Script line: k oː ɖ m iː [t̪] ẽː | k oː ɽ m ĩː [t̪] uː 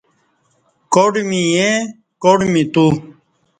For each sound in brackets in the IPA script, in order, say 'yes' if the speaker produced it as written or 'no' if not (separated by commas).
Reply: no, yes